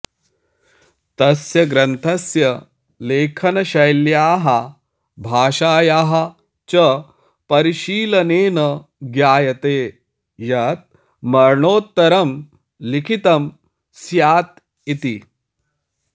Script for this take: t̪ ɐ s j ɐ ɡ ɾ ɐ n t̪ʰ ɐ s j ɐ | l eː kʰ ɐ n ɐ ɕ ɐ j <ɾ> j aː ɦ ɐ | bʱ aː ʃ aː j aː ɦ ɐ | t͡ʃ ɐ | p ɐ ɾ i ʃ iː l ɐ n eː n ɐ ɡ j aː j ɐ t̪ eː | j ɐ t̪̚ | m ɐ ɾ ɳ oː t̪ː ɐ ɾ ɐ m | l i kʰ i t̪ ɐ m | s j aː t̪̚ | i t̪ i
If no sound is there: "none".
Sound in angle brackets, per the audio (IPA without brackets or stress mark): l